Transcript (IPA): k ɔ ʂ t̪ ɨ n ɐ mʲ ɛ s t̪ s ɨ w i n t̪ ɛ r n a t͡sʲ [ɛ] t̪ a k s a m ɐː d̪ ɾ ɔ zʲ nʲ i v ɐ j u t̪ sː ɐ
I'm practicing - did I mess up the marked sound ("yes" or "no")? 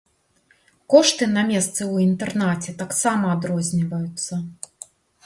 no